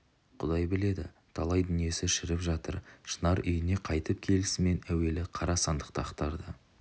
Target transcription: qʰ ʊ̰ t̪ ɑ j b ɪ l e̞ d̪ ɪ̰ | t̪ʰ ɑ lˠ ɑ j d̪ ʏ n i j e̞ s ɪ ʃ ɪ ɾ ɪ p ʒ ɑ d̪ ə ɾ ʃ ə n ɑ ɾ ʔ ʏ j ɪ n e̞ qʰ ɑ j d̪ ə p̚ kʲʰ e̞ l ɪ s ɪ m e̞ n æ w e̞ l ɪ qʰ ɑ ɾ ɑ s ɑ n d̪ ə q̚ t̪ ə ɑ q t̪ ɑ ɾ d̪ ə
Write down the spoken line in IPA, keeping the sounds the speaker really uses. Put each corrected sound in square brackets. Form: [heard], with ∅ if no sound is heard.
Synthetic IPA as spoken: qʰ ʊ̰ [d̪] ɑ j b ɪ l e̞ d̪ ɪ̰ | t̪ʰ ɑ lˠ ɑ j d̪ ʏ n i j e̞ s ɪ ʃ ɪ ɾ ɪ p ʒ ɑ [t̪] ə ɾ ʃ ə n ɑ ɾ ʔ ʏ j ɪ n e̞ qʰ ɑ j [t̪] ə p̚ kʲʰ e̞ l ɪ s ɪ m e̞ n æ w e̞ l ɪ qʰ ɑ ɾ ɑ s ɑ n d̪ ə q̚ t̪ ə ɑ q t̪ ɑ ɾ d̪ ə